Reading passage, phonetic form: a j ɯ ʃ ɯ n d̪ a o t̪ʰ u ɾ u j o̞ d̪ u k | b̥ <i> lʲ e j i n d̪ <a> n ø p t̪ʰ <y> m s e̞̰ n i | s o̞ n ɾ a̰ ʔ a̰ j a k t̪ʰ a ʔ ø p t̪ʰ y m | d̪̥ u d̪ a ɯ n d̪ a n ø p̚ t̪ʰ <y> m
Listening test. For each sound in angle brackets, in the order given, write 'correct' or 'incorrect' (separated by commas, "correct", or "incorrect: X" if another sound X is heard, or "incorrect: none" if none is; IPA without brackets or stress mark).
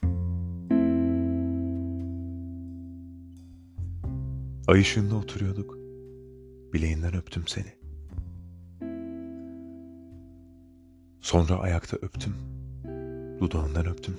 correct, incorrect: æ, correct, correct